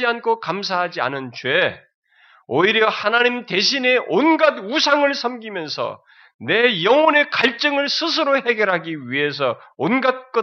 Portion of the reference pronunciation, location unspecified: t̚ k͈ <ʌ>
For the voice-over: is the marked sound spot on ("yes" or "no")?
yes